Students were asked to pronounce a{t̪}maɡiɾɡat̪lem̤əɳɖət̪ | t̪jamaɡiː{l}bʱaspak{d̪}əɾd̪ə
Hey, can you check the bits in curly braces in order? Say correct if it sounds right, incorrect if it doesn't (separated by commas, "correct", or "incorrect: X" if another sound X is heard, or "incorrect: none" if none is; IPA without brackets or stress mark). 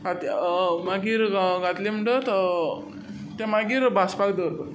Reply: correct, incorrect: ɾ, correct